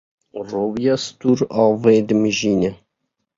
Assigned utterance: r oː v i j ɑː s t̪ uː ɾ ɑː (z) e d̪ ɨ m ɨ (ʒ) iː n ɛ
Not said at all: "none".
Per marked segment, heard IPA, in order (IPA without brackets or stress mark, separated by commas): v, ʒ